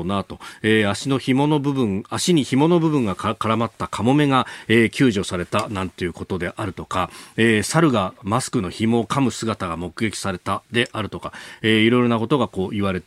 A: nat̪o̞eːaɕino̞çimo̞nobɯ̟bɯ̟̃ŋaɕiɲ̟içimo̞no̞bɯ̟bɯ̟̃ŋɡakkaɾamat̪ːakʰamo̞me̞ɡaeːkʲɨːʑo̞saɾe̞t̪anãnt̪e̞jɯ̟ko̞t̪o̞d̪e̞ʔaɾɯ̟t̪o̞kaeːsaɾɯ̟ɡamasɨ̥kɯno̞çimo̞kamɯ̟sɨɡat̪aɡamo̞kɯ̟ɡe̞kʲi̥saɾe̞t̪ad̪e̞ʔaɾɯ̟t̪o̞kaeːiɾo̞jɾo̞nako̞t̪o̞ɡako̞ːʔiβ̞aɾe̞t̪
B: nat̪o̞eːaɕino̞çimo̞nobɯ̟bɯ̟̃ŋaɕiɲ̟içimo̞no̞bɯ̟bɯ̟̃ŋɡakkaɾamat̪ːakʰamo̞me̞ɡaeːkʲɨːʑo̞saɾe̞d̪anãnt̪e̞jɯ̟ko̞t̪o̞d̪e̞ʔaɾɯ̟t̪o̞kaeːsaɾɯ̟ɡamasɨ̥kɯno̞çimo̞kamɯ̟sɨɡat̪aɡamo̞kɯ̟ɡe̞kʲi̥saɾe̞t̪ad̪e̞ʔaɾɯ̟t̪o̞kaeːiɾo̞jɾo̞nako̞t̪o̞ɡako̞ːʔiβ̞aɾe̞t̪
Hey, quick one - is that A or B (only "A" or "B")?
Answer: A